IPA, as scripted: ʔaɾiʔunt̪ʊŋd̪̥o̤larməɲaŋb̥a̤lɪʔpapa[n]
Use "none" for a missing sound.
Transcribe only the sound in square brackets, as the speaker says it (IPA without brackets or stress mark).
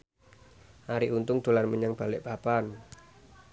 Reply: n